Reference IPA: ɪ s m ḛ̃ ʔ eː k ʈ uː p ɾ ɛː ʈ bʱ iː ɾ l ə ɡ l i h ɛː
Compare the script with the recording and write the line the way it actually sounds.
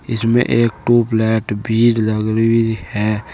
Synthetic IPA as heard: ɪ s m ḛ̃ ʔ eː k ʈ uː p l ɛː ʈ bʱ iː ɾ l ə ɡ ɾ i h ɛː